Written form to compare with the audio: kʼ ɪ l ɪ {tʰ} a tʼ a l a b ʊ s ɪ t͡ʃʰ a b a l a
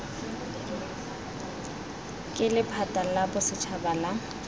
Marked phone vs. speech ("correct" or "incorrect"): incorrect